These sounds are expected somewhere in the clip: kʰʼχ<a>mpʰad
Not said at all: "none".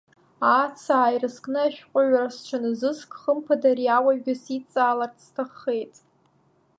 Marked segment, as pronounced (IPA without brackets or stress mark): ə